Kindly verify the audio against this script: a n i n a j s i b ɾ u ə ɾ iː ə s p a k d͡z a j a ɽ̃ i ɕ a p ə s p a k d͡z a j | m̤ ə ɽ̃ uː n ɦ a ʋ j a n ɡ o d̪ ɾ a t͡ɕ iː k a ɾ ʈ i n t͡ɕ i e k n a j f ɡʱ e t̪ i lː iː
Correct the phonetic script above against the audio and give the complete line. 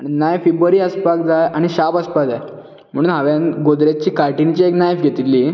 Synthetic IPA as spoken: a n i n a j f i b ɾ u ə ɾ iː ə s p a k d͡z a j a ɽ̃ i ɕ a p ə s p a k d͡z a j | m̤ ə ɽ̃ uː n ɦ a ʋ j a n ɡ o d̪ ɾ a t͡ɕ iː k a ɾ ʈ i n t͡ɕ i e k n a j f ɡʱ e t̪ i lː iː